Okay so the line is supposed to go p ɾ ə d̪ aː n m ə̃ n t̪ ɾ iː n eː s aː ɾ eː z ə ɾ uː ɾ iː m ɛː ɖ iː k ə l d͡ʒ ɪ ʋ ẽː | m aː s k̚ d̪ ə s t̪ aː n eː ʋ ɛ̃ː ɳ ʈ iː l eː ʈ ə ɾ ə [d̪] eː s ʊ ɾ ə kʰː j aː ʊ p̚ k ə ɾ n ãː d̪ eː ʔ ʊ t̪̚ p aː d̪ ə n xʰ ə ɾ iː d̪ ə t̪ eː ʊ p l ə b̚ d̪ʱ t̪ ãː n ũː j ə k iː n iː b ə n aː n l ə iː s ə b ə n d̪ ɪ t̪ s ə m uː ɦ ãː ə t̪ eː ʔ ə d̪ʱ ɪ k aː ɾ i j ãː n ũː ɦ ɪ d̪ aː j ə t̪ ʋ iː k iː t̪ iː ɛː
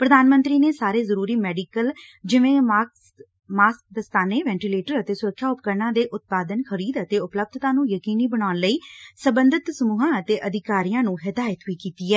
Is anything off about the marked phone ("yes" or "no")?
yes